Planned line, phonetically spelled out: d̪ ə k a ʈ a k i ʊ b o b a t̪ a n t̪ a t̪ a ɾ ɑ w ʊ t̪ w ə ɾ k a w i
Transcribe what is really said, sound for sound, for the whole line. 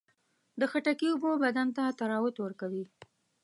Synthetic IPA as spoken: d̪ ə x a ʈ a k i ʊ b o b a d̪ a n t̪ a t̪ a ɾ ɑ w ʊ t̪ w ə ɾ k a w i